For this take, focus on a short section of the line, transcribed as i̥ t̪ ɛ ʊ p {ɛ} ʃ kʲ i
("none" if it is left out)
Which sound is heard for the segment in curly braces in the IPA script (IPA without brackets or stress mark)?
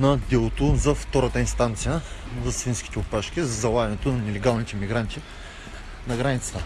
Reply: a